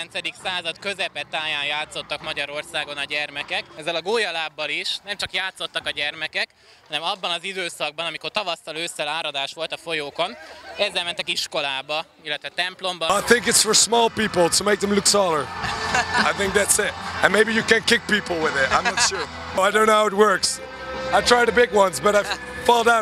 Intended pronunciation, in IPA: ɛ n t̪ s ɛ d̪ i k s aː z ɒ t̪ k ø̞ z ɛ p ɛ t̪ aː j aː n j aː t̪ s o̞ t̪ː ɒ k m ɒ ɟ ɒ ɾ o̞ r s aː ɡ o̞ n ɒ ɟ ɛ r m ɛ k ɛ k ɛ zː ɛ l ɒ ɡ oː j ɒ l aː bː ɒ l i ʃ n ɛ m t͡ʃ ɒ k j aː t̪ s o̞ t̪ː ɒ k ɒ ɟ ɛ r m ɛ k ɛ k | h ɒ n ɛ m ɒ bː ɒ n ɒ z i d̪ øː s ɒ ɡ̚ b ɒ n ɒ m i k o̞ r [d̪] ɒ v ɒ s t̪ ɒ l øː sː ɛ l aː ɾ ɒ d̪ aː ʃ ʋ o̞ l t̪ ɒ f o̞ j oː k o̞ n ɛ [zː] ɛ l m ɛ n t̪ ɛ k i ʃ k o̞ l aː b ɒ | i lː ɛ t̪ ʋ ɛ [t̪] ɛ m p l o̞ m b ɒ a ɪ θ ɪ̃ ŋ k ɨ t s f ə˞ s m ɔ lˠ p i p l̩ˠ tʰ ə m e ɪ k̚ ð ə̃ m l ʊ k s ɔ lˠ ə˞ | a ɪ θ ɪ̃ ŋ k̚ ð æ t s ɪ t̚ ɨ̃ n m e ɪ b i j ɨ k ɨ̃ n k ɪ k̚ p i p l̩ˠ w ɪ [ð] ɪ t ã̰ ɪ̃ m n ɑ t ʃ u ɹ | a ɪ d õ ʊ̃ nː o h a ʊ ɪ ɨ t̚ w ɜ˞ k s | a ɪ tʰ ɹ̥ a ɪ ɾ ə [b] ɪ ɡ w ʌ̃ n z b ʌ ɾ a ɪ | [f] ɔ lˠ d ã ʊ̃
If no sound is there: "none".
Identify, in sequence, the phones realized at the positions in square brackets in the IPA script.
t̪, zː, t̪, ð, b, f

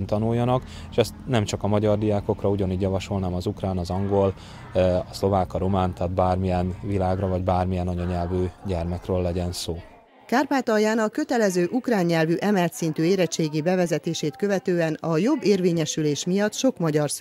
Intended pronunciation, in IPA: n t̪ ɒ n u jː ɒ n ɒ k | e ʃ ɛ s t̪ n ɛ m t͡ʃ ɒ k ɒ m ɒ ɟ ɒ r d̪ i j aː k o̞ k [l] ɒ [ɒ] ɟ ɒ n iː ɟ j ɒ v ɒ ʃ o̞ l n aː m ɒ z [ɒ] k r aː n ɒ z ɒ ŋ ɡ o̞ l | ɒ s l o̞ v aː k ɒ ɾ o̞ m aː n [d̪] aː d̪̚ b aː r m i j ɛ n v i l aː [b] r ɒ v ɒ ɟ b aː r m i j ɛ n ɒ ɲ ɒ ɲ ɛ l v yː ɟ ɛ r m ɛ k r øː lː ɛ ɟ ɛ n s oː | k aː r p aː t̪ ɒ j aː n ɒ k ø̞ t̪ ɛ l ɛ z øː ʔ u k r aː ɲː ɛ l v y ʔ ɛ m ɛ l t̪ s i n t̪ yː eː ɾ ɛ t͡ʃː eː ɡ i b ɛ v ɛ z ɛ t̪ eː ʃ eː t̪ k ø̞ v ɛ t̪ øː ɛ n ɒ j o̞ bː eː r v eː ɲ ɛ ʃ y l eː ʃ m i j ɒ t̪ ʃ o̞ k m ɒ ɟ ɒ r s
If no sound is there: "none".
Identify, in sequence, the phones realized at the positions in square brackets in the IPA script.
r, u, u, t̪, ɡ

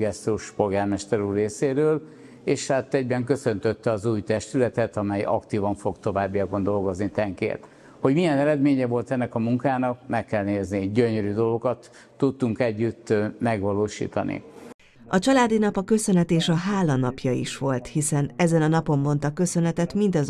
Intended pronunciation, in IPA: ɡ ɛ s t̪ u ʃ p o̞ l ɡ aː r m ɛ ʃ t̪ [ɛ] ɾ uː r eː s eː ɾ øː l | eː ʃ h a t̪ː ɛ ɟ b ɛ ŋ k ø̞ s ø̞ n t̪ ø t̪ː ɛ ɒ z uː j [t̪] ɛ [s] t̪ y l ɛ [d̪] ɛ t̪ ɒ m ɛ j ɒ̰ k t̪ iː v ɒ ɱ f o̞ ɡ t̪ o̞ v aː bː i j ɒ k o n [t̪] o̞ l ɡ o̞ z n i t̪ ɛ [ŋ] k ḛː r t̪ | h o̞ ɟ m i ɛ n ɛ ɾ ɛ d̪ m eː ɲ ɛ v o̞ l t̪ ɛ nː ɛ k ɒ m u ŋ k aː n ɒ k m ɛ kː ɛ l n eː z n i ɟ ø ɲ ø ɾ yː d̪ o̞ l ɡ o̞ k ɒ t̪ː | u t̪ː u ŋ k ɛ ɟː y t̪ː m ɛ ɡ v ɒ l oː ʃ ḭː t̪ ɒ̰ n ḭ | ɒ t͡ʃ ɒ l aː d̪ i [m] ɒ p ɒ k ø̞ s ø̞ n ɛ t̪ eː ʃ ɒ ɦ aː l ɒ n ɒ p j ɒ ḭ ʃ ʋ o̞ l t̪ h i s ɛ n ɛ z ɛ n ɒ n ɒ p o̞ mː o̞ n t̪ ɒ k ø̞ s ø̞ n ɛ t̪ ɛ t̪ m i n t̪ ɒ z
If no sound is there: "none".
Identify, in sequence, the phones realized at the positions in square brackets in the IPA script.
ɛ, t̪, ʃ, t̪, d̪, ŋ, n

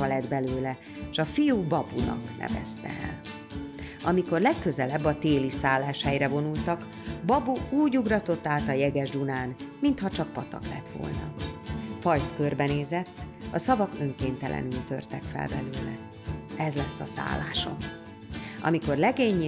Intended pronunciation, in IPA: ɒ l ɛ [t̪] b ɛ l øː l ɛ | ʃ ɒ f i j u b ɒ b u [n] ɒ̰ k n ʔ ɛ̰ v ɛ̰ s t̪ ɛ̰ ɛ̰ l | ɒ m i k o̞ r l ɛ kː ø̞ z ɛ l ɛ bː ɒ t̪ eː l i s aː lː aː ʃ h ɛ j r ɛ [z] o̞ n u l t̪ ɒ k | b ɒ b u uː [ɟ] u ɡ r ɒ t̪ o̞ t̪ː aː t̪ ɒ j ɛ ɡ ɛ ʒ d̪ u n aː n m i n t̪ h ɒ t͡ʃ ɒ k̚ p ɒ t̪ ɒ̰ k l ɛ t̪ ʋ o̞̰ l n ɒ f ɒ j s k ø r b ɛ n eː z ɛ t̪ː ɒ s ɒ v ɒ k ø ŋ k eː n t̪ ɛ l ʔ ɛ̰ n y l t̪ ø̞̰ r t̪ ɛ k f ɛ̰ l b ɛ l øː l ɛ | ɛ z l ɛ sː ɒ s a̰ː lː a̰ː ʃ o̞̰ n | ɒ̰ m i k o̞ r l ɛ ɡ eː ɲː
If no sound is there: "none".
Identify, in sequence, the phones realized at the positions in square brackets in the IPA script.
d̪, n, v, ɟ

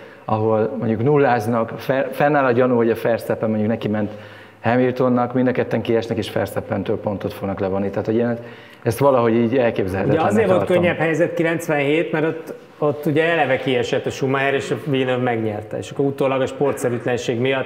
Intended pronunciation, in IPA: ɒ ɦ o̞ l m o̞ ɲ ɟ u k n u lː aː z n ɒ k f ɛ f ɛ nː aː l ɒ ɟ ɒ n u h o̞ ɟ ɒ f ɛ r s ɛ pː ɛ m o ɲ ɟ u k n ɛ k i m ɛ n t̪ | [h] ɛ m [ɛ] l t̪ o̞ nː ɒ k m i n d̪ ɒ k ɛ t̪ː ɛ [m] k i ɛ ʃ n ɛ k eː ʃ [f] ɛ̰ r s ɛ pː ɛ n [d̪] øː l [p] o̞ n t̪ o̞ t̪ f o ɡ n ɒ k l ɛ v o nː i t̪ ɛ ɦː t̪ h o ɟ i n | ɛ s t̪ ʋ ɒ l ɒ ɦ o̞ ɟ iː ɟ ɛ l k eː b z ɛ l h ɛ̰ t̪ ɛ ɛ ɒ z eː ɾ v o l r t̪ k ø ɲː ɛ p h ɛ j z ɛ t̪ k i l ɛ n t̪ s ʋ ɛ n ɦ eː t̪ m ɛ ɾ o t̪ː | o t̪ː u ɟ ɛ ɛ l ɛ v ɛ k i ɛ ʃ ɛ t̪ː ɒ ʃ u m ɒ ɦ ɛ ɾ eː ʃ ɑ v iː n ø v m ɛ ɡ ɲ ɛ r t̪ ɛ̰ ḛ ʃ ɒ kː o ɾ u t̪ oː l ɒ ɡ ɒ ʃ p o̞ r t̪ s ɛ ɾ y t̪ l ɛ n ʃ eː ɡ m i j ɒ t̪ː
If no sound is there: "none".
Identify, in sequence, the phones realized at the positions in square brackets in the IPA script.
h, i, ŋ, f, t̪, p

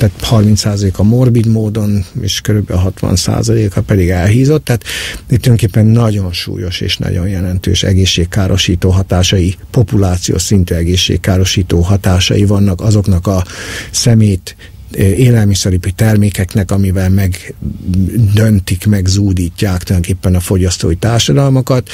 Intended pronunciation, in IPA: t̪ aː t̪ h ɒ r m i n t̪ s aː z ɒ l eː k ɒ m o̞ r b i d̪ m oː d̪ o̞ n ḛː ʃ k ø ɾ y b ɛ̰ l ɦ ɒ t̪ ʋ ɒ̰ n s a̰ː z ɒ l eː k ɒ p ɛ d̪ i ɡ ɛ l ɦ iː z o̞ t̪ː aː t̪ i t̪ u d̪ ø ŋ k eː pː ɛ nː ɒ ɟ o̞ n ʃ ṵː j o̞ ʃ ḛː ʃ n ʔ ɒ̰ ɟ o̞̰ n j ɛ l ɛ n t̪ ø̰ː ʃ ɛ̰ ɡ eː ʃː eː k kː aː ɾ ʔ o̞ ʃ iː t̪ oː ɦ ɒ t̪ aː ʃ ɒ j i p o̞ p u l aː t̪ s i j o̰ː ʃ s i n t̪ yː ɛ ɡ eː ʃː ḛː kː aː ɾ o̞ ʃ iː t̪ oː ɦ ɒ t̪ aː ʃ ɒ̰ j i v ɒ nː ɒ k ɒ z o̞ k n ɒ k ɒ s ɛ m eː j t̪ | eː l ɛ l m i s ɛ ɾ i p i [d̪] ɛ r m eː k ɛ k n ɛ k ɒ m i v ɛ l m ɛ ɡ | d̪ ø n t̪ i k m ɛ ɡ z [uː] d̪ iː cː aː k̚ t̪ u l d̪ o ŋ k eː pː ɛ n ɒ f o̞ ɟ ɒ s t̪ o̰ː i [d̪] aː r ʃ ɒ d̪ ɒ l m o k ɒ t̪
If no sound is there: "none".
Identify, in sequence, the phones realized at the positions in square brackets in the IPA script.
t̪, uː, t̪

